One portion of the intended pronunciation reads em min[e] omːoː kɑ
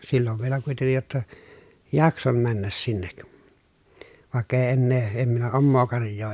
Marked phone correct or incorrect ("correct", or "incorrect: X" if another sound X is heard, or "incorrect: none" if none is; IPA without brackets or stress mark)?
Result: incorrect: æ